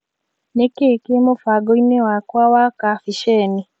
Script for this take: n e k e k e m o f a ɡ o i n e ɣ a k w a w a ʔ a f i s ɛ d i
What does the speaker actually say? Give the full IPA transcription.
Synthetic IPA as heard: n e k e k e m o f a ɡ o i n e w a k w a w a k a f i ʃ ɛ n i